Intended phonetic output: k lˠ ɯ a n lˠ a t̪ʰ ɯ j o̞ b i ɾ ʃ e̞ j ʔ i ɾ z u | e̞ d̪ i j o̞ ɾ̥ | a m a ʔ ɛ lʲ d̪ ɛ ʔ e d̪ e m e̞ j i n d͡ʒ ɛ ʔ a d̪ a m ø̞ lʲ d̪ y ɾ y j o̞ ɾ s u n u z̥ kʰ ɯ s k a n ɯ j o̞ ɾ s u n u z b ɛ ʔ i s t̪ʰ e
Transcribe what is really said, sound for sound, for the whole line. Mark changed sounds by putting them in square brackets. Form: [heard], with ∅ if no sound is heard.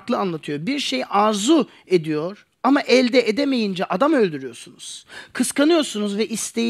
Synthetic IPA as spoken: k lˠ ɯ a n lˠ a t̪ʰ ɯ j o̞ b i ɾ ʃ e̞ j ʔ [a] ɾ z u | e̞ d̪ i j o̞ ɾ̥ | a m a ʔ ɛ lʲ d̪ ɛ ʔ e d̪ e m e̞ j i n d͡ʒ ɛ ʔ a d̪ a m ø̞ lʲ d̪ y ɾ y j o̞ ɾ s u n u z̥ kʰ ɯ s k a n ɯ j o̞ ɾ s u n u z [v] ɛ ʔ i s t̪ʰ e